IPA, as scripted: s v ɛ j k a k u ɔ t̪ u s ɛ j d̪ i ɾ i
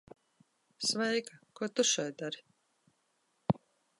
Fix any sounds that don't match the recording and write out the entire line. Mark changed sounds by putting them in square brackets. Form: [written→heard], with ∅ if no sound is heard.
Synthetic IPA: s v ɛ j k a k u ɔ t̪ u [s→ʃ] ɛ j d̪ [i→a] ɾ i